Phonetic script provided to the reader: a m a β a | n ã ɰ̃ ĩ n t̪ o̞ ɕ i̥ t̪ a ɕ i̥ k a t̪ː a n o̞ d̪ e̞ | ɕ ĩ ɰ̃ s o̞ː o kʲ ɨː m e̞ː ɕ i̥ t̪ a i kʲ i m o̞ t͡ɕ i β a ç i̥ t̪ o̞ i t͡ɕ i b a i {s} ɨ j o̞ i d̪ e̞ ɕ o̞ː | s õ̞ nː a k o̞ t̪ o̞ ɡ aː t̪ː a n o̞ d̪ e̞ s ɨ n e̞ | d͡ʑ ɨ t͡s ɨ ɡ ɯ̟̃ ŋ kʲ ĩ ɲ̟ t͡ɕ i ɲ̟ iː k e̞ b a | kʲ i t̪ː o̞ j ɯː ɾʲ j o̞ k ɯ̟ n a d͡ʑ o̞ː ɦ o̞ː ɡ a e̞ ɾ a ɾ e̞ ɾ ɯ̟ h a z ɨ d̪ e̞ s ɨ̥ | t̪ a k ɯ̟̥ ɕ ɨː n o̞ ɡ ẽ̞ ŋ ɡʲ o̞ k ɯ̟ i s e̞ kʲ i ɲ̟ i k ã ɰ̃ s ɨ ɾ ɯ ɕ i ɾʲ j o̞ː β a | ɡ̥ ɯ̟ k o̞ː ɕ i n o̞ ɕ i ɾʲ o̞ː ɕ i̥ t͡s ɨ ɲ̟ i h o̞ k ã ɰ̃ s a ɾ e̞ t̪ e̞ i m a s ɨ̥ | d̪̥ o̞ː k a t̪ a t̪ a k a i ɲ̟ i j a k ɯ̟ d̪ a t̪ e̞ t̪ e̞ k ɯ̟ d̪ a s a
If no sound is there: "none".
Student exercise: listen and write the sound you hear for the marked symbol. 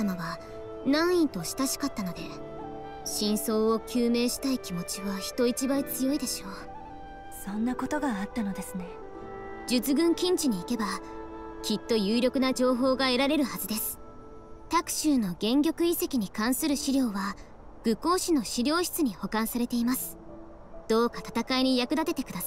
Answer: t͡s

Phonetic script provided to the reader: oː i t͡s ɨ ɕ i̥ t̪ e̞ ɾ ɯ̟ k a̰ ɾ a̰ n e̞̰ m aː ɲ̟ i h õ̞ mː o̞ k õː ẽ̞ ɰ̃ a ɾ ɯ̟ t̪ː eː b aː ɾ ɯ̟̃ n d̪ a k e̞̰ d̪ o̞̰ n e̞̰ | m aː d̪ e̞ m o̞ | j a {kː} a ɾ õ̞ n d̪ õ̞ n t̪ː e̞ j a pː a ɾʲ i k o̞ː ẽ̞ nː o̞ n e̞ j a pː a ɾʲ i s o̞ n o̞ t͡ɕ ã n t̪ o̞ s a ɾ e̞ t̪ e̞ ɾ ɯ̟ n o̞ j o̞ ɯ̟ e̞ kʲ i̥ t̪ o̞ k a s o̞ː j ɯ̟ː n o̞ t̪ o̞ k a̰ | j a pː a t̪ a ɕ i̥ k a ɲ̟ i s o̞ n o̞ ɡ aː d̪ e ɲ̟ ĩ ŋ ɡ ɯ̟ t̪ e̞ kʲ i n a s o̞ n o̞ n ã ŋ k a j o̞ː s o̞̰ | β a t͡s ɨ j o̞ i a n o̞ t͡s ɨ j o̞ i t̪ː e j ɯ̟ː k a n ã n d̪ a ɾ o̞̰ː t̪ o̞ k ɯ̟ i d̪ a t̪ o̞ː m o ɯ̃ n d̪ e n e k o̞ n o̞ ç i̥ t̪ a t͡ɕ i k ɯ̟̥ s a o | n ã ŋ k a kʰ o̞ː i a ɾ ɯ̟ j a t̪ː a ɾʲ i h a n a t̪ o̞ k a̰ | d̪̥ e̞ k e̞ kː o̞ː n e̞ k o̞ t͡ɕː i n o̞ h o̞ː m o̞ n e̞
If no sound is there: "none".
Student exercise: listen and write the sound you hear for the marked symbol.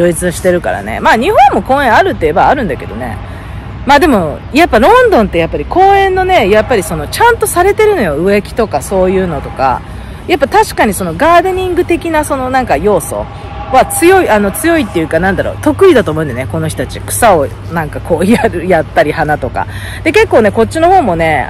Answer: pː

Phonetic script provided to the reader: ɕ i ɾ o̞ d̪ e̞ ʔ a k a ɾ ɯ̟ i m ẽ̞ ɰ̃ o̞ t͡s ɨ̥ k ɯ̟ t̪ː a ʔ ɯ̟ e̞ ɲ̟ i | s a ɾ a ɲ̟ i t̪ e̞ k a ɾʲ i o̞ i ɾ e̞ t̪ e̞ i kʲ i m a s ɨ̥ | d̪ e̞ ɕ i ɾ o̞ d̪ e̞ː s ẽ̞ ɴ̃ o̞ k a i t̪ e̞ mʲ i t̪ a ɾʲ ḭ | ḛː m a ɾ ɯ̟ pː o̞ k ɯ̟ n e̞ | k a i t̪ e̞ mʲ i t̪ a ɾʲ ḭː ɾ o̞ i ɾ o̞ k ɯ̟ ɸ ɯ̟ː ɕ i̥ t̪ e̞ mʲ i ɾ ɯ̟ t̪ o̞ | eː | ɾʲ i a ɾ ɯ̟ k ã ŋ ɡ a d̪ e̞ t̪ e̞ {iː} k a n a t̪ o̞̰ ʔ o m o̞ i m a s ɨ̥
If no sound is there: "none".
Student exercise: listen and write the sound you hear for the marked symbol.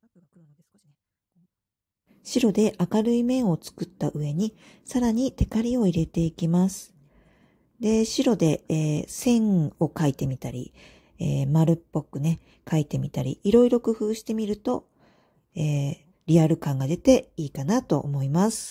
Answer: iː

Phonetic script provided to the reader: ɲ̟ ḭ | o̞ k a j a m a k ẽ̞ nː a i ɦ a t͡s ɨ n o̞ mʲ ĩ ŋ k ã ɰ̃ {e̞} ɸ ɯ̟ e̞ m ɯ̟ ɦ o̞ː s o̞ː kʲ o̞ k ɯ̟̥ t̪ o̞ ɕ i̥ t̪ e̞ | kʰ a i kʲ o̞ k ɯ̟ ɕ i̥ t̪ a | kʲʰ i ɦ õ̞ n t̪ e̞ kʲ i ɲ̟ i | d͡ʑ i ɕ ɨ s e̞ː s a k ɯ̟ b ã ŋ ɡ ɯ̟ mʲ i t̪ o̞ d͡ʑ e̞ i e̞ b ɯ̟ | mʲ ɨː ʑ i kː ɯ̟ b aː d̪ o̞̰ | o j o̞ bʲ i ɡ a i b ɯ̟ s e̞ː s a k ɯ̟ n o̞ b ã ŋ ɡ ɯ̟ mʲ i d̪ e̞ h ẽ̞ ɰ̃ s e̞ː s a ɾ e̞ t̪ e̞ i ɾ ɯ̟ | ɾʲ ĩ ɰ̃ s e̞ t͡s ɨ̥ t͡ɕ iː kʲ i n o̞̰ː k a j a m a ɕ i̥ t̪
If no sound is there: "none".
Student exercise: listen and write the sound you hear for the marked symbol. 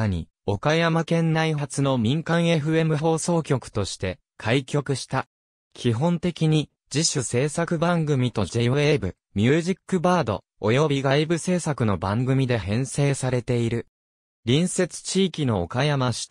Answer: e̞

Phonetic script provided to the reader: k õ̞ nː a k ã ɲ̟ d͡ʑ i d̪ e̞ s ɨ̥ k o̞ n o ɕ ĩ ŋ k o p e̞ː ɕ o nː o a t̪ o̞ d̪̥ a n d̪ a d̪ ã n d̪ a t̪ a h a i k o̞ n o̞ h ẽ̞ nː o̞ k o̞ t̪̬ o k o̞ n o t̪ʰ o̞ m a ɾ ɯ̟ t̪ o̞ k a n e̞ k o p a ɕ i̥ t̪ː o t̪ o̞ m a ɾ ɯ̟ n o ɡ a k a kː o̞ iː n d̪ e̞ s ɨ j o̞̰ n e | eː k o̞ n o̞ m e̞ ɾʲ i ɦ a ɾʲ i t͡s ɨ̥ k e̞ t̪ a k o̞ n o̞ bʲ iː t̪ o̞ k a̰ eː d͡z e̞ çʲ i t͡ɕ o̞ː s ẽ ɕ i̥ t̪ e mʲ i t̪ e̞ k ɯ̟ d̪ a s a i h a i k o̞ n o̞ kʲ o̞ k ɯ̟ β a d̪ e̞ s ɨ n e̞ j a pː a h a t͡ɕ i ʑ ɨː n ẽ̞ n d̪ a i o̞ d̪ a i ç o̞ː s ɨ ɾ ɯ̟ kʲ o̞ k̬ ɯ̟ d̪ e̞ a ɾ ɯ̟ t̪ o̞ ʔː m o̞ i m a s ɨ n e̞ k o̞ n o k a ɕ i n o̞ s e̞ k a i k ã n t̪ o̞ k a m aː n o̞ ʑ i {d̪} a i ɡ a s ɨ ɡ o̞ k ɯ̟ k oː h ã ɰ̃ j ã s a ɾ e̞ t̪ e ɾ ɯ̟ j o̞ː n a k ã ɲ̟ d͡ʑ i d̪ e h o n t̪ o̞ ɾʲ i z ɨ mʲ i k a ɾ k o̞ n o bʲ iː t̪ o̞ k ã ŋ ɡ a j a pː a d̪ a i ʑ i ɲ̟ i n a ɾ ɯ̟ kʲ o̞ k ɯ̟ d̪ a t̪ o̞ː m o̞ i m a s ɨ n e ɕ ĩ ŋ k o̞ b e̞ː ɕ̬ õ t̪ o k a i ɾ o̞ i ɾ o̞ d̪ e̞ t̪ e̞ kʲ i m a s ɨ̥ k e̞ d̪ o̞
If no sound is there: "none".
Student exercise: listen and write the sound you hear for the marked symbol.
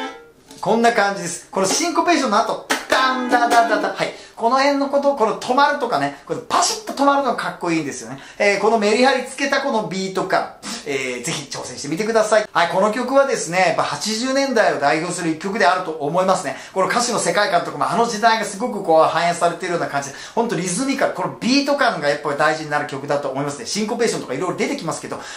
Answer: d̪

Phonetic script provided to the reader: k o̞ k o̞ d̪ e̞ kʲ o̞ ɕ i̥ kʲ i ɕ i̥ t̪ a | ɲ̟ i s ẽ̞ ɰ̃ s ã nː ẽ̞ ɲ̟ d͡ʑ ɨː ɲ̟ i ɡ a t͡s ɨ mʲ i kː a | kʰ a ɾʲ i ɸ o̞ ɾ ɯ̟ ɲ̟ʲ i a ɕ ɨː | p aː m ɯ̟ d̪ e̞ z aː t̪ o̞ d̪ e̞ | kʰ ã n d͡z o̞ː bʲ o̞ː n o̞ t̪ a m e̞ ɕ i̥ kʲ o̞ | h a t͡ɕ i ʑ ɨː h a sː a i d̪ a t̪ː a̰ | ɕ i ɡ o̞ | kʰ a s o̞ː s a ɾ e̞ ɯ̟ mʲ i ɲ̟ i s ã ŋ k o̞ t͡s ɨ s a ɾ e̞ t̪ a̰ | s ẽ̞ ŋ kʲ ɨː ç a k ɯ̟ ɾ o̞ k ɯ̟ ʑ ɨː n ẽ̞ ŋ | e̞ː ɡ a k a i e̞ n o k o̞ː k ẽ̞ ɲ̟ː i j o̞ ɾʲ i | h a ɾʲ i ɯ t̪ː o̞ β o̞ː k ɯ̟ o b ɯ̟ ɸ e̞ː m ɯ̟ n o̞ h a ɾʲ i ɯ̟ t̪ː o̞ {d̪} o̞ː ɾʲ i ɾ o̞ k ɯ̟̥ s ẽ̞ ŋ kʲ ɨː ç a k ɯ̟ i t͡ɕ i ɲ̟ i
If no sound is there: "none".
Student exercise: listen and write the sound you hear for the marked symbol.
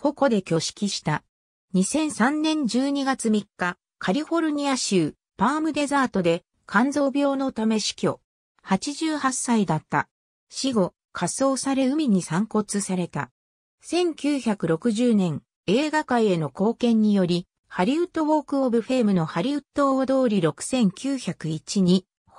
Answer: d̪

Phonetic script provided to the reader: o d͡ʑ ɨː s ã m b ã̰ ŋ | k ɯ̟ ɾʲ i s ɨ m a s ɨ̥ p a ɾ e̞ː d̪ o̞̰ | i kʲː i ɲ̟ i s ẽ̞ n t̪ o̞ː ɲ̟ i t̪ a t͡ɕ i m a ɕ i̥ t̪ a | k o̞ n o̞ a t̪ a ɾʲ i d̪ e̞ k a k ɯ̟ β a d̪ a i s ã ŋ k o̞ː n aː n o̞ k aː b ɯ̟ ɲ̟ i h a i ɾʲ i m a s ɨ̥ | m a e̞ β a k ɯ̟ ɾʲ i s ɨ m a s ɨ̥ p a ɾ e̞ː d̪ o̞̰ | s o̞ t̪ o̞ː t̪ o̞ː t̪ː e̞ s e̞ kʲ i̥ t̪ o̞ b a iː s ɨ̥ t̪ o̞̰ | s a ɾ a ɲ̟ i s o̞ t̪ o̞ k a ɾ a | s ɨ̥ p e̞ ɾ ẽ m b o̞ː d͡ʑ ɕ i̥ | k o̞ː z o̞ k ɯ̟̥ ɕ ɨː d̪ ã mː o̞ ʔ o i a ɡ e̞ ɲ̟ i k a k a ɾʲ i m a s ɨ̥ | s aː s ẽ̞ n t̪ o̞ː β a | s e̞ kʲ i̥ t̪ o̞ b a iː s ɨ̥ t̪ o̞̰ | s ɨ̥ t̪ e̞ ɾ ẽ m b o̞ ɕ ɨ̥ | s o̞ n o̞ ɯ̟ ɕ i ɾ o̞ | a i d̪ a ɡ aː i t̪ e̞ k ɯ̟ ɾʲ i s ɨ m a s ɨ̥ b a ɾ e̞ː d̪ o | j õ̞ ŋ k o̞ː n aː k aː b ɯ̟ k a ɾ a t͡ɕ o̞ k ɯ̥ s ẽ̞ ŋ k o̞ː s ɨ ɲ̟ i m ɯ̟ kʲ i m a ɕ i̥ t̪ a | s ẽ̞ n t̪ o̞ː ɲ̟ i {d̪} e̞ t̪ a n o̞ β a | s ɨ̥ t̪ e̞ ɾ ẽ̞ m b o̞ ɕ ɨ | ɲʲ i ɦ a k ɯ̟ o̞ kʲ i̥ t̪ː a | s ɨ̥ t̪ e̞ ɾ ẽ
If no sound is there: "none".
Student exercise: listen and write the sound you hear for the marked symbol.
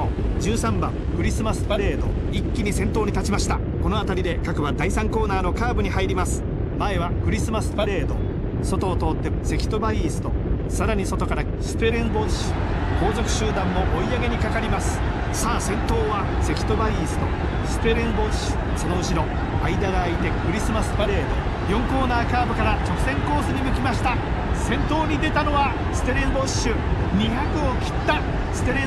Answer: d̪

